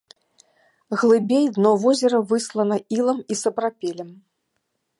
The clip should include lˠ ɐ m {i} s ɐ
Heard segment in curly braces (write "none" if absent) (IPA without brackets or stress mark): i